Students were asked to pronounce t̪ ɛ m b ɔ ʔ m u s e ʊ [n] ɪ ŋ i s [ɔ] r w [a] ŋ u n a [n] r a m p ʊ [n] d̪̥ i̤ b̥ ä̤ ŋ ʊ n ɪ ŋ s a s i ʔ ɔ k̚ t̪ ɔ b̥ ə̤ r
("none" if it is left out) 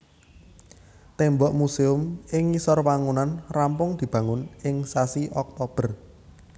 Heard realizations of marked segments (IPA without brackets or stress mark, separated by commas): m, ɔ, a, n, ŋ